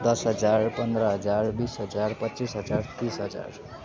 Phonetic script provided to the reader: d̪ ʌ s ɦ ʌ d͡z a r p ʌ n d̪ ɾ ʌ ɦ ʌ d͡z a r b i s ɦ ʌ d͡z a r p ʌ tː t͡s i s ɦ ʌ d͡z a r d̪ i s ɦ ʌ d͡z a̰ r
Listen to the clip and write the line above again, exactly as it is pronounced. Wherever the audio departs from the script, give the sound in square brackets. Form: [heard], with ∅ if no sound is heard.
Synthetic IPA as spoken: d̪ ʌ s ɦ ʌ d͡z a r p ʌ n d̪ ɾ ʌ ɦ ʌ d͡z a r b i s ɦ ʌ d͡z a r p ʌ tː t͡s i s ɦ ʌ d͡z a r [t̪] i s ɦ ʌ d͡z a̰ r